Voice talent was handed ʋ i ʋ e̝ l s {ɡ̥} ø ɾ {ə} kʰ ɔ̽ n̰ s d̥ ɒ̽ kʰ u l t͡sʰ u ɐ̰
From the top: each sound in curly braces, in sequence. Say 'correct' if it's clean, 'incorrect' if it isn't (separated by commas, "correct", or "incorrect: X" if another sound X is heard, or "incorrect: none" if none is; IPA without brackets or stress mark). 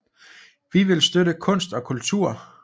incorrect: d̥, correct